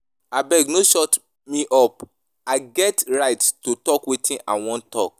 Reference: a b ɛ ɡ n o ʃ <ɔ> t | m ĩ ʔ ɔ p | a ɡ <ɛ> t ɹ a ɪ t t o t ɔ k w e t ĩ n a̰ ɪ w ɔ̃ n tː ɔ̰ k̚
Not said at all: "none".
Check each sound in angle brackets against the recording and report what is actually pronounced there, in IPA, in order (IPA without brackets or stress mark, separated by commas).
ɔ, ɛ